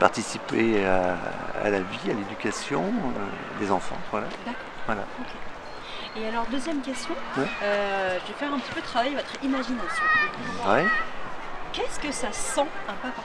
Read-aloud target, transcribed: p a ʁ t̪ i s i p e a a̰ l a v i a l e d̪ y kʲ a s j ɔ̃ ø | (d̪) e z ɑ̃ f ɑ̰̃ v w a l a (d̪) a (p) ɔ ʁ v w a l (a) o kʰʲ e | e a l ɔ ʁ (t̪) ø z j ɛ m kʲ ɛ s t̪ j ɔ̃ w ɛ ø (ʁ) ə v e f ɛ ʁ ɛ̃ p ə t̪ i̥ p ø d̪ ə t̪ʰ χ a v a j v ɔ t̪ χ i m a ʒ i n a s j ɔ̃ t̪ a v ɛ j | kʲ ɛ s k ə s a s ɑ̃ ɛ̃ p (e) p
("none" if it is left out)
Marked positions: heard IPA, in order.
d̪, d̪, k, a, d̪, ʒ, a

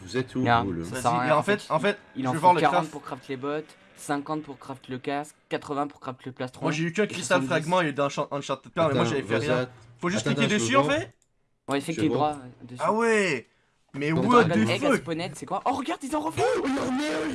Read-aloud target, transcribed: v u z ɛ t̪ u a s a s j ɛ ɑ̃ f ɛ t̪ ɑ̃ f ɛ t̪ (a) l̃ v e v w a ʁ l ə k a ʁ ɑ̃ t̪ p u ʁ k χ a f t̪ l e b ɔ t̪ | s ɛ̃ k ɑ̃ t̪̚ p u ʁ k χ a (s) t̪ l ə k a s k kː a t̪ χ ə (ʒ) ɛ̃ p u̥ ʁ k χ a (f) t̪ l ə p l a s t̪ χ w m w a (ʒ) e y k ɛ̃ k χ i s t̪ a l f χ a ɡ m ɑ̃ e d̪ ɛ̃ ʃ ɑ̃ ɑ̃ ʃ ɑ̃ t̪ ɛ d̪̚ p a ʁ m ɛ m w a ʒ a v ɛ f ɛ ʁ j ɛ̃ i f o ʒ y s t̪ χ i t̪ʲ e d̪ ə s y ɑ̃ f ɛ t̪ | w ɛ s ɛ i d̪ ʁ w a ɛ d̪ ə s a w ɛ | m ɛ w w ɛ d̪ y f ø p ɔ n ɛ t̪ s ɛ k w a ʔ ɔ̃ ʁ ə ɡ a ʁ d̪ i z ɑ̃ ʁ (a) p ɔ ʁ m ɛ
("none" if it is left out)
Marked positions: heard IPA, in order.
i, f, v, f, ʒ, ə

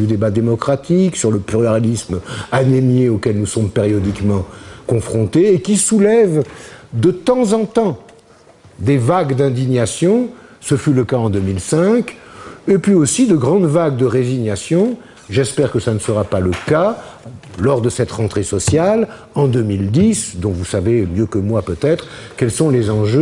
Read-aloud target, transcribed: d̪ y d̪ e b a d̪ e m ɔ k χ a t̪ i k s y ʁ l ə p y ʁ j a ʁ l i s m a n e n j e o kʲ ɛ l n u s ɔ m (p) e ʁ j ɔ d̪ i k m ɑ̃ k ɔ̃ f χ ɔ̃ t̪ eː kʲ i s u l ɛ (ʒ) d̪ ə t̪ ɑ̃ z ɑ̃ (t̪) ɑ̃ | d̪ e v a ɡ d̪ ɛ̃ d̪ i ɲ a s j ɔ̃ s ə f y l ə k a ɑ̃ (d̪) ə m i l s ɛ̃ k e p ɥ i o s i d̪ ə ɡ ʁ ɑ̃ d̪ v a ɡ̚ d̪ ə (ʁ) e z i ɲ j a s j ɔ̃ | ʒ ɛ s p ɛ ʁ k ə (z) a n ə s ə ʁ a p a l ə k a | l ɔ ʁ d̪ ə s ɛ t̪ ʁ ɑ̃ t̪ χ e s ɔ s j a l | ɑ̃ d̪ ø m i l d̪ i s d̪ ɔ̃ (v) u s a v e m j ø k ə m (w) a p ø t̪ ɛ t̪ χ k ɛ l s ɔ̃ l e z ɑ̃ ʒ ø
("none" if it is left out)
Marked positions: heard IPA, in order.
p, v, t̪, d̪, ʁ, s, v, w

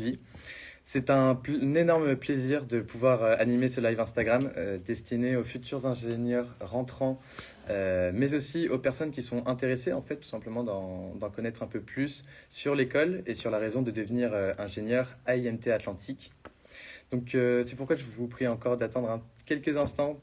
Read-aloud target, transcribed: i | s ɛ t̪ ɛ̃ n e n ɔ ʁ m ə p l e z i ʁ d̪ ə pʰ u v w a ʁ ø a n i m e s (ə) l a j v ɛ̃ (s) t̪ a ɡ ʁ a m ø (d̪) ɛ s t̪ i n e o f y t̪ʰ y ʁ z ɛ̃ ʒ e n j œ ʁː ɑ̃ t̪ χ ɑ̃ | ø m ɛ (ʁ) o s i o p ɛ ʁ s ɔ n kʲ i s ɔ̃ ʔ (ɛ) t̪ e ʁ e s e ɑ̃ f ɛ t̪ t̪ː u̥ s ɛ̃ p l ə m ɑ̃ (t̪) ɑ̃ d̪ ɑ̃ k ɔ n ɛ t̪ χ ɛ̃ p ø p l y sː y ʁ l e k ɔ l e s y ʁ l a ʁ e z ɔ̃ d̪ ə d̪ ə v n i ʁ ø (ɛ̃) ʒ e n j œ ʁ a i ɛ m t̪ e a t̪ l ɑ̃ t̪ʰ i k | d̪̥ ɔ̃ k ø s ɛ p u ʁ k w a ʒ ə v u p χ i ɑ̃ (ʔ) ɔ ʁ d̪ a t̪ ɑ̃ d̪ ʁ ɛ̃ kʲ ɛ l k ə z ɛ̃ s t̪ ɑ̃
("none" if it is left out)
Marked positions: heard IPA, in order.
ə, s, d̪, z, ɛ̃, d̪, ɛ̃, k

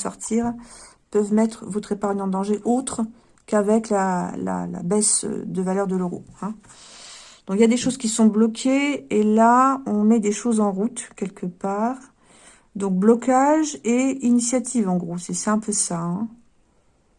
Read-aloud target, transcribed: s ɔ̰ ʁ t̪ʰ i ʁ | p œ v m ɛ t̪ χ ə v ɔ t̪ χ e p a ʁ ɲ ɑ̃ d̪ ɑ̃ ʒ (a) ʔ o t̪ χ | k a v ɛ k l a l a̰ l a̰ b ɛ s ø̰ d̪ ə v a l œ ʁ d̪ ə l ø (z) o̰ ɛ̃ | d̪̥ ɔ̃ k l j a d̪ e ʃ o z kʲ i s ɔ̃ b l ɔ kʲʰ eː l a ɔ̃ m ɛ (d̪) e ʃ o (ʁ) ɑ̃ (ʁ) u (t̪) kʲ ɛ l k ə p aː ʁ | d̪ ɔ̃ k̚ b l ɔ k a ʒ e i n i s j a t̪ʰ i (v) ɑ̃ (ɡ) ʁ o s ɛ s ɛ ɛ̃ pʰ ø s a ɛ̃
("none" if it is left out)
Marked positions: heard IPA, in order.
e, ʁ, d̪, z, ʁ, t̪, v, ɡ

